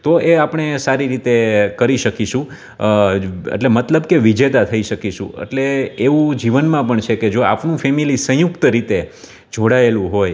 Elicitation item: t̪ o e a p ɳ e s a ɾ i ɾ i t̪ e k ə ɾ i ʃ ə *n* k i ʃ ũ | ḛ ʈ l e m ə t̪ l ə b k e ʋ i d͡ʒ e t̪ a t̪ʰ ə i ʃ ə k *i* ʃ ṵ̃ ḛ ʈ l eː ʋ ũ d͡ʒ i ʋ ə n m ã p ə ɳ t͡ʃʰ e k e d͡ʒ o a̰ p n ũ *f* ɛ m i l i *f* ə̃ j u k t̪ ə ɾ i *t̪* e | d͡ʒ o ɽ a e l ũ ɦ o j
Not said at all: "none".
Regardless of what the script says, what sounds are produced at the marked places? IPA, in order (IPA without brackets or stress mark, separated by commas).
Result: none, i, f, s, t̪